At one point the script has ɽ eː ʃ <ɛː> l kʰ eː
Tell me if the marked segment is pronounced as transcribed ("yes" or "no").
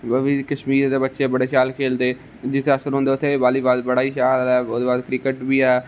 no